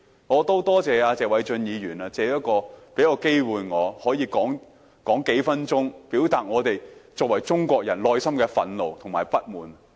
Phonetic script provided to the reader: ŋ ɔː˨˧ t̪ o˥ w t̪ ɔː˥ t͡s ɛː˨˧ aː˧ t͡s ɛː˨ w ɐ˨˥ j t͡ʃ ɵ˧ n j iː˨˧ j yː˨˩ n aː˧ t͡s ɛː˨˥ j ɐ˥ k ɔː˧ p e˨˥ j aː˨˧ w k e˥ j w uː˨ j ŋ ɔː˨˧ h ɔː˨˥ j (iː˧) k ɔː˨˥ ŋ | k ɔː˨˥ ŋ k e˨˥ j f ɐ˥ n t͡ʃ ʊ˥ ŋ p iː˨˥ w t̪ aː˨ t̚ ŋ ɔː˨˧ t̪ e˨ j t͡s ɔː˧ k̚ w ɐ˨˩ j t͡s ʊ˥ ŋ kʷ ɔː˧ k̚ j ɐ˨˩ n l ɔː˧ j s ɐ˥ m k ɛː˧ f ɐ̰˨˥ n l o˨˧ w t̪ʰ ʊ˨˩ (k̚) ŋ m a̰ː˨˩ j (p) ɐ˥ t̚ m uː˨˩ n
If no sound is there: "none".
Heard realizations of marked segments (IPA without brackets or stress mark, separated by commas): iː˧, none, p